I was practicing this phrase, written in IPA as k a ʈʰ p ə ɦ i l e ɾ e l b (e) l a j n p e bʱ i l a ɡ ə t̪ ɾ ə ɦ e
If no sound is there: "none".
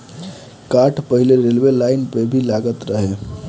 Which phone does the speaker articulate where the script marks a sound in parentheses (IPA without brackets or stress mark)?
e